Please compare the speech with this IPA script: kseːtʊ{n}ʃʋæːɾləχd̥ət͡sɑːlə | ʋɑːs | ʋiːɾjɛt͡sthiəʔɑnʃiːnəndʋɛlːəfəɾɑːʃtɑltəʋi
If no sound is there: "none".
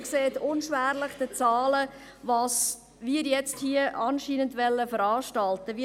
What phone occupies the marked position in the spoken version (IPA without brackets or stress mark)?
n